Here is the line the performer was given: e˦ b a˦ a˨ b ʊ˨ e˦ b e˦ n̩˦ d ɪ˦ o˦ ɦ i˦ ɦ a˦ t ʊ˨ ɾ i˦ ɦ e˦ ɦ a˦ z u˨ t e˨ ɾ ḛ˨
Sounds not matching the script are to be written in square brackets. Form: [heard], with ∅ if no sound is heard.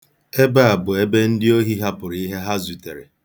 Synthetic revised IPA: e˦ b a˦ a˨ b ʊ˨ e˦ b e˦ n̩˦ d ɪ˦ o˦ ɦ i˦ ɦ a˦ [p] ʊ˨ ɾ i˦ ɦ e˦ ɦ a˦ z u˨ t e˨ ɾ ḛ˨